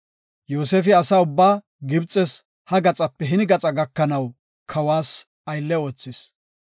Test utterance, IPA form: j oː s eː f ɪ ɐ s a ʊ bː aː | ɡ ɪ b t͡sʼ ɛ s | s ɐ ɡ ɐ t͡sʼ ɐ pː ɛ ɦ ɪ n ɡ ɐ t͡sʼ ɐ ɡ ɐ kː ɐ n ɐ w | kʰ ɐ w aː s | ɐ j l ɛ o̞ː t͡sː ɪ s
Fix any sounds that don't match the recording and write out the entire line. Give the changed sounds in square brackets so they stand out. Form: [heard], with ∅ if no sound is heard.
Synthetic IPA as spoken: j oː s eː f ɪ ɐ s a ʊ bː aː | ɡ ɪ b t͡sʼ ɛ s | [h] ɐ ɡ ɐ t͡sʼ ɐ pː ɛ ɦ ɪ n ɡ ɐ t͡sʼ ɐ ɡ ɐ kː ɐ n ɐ w | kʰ ɐ w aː s | ɐ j [lː] ɛ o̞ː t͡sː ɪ s